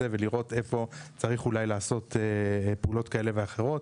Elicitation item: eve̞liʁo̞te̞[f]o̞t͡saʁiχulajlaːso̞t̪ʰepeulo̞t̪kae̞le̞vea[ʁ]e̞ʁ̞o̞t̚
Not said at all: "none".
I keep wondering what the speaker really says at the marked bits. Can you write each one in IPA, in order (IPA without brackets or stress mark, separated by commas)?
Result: f, χ